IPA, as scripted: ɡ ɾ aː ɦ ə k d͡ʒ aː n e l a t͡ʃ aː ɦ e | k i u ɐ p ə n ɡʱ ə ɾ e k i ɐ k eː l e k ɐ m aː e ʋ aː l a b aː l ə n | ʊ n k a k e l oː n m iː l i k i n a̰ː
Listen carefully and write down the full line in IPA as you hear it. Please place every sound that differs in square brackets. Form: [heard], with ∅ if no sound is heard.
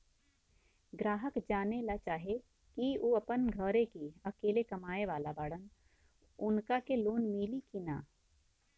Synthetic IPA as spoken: ɡ ɾ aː ɦ ə k d͡ʒ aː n e l a t͡ʃ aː ɦ e | k i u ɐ p ə n ɡʱ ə ɾ e k i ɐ k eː l e k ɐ m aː e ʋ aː l a b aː [ɽ] ə n | ʊ n k a k e l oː n m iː l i k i n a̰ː